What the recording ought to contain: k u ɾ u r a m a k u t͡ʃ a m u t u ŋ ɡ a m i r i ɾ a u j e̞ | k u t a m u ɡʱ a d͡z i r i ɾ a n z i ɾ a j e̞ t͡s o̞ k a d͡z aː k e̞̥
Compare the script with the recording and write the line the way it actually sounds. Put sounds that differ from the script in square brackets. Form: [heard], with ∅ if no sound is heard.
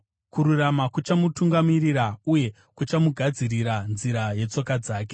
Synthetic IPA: k u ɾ u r a m a k u t͡ʃ a m u t u ŋ ɡ a m i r i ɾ a u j e̞ | k u [t͡ʃ] a m u ɡʱ a d͡z i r i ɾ a n z i ɾ a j e̞ t͡s o̞ k a d͡z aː k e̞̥